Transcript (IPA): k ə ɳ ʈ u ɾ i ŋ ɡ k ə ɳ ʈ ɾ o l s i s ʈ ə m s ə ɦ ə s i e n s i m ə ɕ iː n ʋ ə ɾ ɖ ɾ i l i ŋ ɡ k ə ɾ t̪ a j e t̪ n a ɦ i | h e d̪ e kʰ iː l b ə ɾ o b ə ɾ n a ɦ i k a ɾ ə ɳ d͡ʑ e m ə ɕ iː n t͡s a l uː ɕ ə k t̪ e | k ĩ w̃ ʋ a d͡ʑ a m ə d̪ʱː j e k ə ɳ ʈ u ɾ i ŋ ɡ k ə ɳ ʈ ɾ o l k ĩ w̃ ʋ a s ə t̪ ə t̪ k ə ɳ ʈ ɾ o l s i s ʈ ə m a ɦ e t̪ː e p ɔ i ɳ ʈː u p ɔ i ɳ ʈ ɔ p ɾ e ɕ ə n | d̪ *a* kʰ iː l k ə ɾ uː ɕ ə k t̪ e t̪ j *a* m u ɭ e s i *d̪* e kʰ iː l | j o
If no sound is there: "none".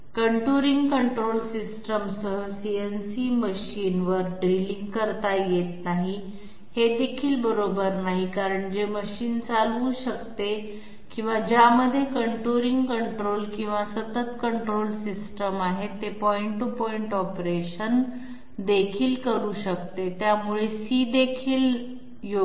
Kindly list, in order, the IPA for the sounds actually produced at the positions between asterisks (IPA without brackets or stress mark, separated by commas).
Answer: e, a, d̪